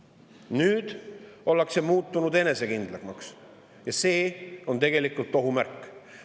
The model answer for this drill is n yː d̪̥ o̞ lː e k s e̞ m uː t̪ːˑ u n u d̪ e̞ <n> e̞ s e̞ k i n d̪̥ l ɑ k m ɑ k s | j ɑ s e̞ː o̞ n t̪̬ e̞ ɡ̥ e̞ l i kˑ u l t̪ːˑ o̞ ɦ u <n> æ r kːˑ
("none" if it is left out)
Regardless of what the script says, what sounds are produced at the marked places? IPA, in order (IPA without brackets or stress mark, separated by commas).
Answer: n, m